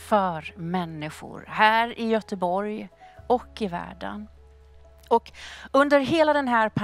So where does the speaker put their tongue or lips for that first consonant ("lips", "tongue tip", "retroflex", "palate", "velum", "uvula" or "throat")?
lips